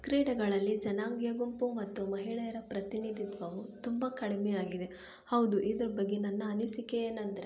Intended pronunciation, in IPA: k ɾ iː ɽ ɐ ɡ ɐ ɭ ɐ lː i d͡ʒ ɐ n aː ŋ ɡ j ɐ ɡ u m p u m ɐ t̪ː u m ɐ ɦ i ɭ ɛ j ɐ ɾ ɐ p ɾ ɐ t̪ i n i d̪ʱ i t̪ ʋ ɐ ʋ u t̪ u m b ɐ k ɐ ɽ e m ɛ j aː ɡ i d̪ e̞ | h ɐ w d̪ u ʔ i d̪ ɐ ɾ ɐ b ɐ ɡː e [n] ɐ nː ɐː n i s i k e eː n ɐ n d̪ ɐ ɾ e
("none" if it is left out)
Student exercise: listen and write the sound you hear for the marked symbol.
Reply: n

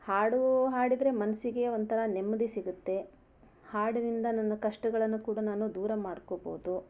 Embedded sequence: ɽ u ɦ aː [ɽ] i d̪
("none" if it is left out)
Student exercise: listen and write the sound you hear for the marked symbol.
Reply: ɽ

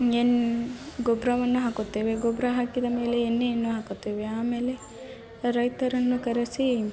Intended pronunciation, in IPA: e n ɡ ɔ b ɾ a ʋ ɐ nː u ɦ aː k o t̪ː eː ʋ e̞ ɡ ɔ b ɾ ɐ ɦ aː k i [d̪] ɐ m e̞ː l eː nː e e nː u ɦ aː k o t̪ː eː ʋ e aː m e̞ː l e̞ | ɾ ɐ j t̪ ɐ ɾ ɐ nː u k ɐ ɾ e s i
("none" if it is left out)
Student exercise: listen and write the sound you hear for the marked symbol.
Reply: d̪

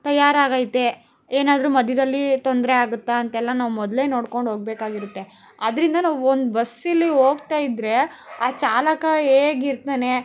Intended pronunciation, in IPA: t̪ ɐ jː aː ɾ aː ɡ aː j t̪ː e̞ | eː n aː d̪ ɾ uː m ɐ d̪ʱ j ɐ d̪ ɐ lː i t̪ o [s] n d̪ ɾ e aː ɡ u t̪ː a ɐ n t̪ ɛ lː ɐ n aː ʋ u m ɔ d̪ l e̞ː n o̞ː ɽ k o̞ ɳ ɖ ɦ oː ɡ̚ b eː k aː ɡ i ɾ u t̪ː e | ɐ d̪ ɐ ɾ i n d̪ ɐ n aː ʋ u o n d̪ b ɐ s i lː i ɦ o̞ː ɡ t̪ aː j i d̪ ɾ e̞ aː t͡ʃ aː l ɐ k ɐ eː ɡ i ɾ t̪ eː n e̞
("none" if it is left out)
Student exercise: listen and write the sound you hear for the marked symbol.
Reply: none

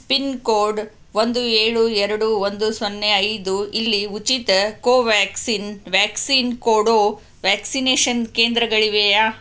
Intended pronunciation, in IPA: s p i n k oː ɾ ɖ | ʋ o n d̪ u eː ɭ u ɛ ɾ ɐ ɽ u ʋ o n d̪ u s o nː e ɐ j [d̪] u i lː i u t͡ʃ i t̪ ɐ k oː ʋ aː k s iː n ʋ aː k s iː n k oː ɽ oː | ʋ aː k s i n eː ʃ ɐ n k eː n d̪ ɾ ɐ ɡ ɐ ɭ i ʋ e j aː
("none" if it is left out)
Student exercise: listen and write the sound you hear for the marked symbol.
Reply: d̪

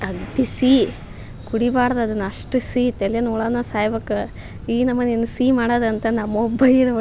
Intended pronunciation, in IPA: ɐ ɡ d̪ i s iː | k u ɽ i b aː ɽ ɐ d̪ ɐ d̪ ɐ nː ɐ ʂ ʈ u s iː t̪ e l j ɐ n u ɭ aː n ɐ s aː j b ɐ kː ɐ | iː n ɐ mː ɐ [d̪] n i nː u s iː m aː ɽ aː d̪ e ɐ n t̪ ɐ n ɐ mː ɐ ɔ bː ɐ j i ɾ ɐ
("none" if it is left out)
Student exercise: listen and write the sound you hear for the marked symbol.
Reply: none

